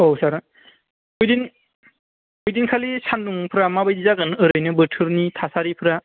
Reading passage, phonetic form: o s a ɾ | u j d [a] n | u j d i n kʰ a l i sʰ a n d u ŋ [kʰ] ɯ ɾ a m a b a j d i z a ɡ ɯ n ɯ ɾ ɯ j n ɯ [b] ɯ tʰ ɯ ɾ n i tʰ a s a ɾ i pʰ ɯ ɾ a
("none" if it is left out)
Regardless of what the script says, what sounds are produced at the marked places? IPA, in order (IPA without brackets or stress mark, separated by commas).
i, pʰ, b